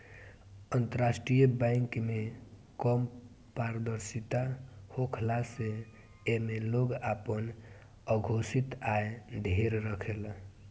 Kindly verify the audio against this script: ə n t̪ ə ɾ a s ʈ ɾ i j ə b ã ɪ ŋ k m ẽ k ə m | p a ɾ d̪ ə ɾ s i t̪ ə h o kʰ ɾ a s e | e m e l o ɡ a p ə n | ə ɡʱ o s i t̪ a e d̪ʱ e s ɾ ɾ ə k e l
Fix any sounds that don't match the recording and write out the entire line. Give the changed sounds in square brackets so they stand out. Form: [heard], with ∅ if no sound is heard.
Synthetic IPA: ə n t̪ ə ɾ a s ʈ ɾ i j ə b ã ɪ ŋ k m [e] k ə m | p a ɾ d̪ ə ɾ s i t̪ [a] h o kʰ [l] a s e | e m e l o ɡ a p ə n | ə ɡʱ o s i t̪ a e d̪ʱ e [∅] ɾ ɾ ə [kʰ] e l